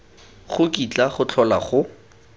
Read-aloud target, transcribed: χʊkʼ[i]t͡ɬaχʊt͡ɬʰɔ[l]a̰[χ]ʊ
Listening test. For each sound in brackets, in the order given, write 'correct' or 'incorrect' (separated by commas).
correct, correct, correct